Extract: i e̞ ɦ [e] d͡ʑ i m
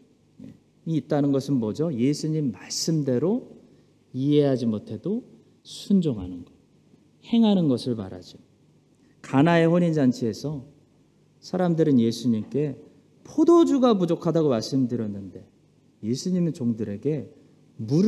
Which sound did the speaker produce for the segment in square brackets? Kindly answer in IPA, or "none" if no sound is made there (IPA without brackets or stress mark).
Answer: a